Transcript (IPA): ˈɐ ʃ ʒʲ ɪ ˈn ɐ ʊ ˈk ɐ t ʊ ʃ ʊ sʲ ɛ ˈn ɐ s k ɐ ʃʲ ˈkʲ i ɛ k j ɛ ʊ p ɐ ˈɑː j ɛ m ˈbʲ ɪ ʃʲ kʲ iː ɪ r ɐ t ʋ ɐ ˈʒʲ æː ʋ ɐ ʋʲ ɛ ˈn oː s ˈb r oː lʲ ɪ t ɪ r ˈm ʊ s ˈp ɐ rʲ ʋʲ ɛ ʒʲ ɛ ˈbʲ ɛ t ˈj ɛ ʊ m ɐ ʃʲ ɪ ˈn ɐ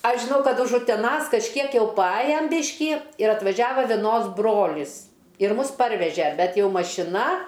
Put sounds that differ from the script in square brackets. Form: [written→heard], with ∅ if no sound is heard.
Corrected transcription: ˈɐ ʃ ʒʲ ɪ ˈn ɐ ʊ ˈk ɐ t ʊ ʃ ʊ [sʲ→tʲ] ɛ ˈn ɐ s k ɐ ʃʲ ˈkʲ i ɛ k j ɛ ʊ p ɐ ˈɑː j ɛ m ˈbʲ ɪ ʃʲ kʲ iː ɪ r ɐ t ʋ ɐ ˈʒʲ æː ʋ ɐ ʋʲ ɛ ˈn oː s ˈb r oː lʲ ɪ [t→s] ɪ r ˈm ʊ s ˈp ɐ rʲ ʋʲ ɛ ʒʲ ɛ ˈbʲ ɛ t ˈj ɛ ʊ m ɐ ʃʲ ɪ ˈn ɐ